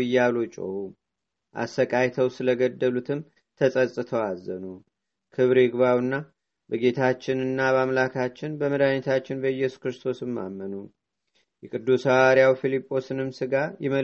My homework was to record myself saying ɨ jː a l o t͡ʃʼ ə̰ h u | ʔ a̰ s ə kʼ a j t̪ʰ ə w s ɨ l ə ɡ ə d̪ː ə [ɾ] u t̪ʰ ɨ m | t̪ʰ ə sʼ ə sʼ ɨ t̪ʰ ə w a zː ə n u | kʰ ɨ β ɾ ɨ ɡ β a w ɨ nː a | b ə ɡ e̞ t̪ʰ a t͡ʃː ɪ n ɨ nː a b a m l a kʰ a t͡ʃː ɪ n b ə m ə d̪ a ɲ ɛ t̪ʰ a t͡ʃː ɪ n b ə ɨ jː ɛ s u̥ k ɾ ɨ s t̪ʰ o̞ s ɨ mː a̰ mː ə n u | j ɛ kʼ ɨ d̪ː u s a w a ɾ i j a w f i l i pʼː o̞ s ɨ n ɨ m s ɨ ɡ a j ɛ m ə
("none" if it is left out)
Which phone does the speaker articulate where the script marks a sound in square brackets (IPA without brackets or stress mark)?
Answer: l